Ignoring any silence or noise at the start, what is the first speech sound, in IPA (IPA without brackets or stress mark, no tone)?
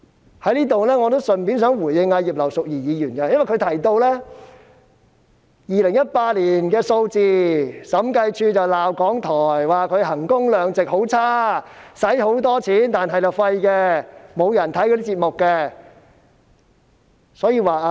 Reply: h